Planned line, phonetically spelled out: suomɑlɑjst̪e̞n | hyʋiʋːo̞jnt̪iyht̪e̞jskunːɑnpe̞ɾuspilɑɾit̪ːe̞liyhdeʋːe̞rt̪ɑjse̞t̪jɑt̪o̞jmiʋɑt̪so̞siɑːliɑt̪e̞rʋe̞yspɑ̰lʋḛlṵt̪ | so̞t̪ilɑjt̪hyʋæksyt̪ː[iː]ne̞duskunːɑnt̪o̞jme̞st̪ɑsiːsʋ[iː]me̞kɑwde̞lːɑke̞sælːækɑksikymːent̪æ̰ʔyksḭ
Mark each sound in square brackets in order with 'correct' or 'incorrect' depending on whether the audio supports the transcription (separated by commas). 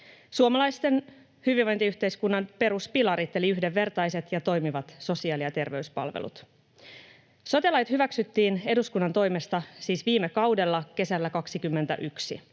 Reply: correct, correct